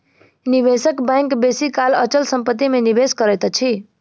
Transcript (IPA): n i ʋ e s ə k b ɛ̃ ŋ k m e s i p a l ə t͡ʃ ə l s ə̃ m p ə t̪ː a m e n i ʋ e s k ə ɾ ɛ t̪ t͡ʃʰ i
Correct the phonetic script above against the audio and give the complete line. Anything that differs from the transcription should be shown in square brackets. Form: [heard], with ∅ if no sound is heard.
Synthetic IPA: n i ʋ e s ə k b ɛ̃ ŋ k [b] e s i [k] a l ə t͡ʃ ə l s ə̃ m p ə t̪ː [i] m e n i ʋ e s k ə ɾ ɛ t̪ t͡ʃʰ i